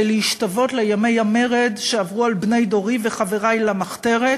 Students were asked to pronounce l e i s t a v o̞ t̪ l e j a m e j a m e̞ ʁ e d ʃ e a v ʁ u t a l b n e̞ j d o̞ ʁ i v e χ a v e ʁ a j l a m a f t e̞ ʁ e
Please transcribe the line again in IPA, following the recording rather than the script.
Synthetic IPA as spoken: l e i ʃ t a v o̞ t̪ l e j a m e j a m e̞ ʁ e d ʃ e a v ʁ u a l b n e̞ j d o̞ ʁ i v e χ a v e ʁ a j l a m a χ t e̞ ʁ e

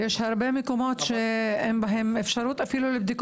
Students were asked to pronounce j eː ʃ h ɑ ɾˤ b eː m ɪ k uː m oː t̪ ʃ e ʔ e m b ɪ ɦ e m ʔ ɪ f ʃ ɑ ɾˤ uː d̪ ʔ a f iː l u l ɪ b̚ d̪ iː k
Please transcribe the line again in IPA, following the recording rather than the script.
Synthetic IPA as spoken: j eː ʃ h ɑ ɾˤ b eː m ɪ k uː m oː t̪ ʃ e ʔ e m b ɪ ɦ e m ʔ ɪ f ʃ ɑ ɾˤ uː t̪ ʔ a f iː l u l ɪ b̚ d̪ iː k

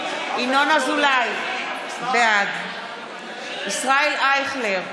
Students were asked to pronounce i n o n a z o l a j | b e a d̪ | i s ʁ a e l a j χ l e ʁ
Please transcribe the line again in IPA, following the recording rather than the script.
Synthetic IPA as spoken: i n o n a z u l a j | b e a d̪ | i s ʁ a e l a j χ l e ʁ

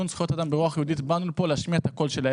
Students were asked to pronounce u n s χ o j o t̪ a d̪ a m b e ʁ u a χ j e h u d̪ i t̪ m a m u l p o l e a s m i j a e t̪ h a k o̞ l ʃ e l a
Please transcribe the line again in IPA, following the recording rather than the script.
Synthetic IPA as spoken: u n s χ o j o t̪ a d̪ a m b e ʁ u a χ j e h u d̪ i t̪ b a n u l p o l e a ʃ m i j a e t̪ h a k o̞ l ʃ e l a

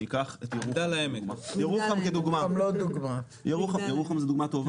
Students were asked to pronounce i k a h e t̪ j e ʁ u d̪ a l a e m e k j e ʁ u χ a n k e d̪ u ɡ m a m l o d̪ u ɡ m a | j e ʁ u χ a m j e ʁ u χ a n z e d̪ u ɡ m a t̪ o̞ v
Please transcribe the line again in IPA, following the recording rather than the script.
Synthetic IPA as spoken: i k a χ e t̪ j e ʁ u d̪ a l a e m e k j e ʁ u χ a m k e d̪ u ɡ m a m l o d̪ u ɡ m a | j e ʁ u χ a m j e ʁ u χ a m z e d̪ u ɡ m a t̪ o̞ v

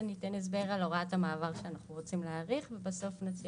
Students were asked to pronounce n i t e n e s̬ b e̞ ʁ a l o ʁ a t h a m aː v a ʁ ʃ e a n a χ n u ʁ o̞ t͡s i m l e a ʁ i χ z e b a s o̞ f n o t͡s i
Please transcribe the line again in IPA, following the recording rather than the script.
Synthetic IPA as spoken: n i t e n e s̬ b e̞ ʁ a l o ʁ a t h a m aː v a ʁ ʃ e a n a χ n u ʁ o̞ t͡s i m l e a ʁ i χ v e b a s o̞ f n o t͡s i

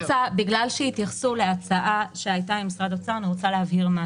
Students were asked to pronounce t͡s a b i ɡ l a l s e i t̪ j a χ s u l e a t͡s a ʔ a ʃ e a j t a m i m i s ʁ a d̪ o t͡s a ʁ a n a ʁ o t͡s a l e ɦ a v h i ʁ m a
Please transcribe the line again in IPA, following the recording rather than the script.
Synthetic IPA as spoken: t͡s a b i ɡ l a l ʃ e i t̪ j a χ s u l e a t͡s a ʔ a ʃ e a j t a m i m i s ʁ a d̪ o t͡s a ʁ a n i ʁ o t͡s a l e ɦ a v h i ʁ m a

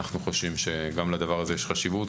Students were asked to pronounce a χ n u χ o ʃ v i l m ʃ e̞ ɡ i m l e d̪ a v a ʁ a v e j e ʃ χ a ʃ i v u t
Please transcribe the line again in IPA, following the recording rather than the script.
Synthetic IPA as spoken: a χ n u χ o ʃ v i m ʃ e̞ ɡ a m l a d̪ a v a ʁ a z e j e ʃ χ a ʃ i v u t

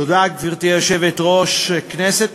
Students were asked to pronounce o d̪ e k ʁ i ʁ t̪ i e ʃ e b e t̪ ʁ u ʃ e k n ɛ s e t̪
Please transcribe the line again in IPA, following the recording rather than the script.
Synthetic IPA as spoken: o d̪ a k v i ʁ t̪ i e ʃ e v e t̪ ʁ o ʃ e k n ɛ s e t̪

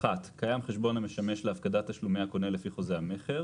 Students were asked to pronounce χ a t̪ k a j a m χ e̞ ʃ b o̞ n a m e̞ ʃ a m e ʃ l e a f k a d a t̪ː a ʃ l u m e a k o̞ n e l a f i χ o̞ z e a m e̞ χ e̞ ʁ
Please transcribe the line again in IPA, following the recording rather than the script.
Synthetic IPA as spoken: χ a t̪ k a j a m χ e̞ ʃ b o̞ n a m e̞ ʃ a m e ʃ l e a f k a d a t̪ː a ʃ l u m e a k o̞ n e l e f i χ o̞ z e a m e̞ χ e̞ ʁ

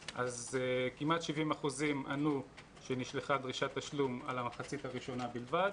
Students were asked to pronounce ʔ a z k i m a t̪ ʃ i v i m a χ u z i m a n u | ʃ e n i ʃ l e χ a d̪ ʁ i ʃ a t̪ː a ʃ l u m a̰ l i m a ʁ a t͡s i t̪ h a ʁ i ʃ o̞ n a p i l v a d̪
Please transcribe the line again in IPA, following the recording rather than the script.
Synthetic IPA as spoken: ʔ a z k i m a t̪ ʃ i v i m a χ u z i m a n u | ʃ e n i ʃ l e χ a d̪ ʁ i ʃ a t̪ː a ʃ l u m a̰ l a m a χ a t͡s i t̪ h a ʁ i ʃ o̞ n a b i l v a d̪

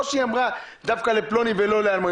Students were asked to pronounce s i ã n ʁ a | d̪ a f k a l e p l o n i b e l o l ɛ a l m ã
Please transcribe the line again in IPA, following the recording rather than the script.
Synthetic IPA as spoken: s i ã m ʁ a | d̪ a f k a l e p l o n i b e l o l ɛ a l m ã

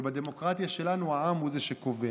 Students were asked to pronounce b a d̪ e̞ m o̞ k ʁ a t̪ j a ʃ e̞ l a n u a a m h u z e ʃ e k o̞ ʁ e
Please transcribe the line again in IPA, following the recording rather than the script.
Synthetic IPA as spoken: b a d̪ e̞ m o̞ k ʁ a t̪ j a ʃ e̞ l a n u a a m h u z e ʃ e k o̞ v e

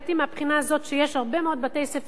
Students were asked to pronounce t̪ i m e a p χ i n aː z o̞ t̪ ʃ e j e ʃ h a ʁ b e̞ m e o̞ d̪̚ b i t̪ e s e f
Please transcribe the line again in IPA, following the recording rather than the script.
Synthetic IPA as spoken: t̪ i m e a p χ i n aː z o̞ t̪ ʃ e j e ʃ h a ʁ b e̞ m e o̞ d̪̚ b a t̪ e s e f

